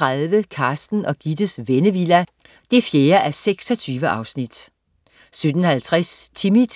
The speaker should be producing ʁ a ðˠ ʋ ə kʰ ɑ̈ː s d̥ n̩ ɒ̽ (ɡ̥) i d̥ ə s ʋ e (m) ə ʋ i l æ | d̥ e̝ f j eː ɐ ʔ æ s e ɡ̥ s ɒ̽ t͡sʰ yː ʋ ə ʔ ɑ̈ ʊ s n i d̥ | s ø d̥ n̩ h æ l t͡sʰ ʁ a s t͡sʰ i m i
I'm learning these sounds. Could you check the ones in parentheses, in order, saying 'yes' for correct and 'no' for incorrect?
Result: yes, no

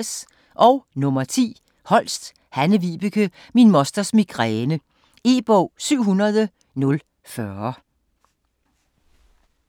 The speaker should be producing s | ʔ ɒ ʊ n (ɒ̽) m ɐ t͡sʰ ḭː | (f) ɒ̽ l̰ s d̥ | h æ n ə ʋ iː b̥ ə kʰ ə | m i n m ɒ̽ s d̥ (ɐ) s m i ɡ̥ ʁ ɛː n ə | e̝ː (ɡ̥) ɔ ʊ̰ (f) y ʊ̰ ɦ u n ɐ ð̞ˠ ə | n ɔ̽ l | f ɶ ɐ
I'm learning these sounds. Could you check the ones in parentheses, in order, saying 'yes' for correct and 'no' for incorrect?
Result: no, no, yes, no, no

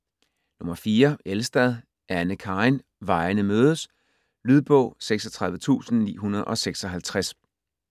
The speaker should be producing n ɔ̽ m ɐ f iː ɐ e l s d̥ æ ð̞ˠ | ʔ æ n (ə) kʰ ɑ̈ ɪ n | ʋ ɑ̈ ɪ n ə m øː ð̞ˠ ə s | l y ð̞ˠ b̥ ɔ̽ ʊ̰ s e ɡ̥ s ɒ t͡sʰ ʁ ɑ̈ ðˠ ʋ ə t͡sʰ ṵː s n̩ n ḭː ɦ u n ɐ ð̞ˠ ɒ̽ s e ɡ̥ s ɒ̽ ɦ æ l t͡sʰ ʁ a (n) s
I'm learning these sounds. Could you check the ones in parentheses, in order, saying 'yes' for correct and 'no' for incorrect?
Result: yes, no

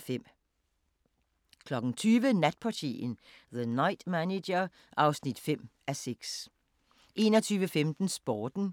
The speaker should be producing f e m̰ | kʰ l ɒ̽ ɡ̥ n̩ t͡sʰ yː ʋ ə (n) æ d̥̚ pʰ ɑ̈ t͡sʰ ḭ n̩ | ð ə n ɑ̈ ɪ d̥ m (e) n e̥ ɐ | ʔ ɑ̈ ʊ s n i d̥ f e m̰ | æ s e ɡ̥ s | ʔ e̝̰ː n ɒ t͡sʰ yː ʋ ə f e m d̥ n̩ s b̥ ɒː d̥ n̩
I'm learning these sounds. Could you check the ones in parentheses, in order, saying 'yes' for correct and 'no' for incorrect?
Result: yes, no

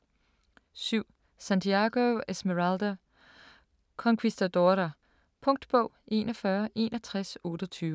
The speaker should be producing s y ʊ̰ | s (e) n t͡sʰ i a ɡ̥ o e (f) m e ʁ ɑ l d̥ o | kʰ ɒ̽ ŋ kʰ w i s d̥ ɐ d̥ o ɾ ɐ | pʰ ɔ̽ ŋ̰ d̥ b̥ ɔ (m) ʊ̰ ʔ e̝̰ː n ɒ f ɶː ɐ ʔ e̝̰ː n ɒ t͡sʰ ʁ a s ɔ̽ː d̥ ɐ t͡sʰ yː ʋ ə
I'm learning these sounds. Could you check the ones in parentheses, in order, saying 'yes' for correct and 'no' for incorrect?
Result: no, no, no

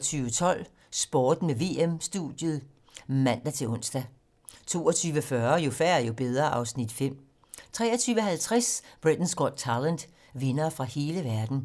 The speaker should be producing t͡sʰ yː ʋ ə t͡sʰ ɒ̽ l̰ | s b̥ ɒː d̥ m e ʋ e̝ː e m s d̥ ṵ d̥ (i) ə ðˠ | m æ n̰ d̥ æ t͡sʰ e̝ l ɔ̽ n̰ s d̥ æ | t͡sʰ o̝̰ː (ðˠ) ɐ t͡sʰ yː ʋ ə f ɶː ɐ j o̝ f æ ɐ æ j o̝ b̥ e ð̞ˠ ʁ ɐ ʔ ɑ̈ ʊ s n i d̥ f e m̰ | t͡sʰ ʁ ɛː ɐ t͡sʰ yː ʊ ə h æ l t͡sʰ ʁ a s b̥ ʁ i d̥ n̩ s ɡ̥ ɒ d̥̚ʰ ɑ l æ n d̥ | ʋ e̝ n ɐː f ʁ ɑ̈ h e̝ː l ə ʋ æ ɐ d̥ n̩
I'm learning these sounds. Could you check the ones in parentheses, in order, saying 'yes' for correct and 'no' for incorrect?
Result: no, no

